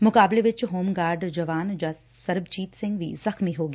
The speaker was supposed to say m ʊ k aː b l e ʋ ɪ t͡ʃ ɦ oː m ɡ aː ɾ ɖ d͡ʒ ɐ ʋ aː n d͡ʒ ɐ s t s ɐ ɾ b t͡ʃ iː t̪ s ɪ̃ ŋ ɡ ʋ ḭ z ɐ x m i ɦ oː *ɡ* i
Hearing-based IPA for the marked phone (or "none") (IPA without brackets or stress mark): ɡ